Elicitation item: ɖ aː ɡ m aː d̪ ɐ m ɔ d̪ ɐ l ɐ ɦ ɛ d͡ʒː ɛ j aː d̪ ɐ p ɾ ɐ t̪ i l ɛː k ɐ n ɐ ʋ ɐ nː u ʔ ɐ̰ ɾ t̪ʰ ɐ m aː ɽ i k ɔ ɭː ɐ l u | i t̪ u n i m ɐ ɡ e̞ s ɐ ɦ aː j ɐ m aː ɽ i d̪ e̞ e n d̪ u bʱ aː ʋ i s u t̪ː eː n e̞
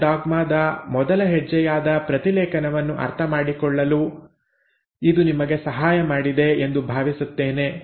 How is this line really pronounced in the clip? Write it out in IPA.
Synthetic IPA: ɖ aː ɡ m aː d̪ ɐ m ɔ d̪ ɐ l ɐ ɦ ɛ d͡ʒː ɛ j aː d̪ ɐ p ɾ ɐ t̪ i l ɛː k ɐ n ɐ ʋ ɐ nː u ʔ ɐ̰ ɾ t̪ʰ ɐ m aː ɽ i k ɔ ɭː ɐ l u | i d̪ u n i m ɐ ɡ e̞ s ɐ ɦ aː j ɐ m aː ɽ i d̪ e̞ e n d̪ u bʱ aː ʋ i s u t̪ː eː n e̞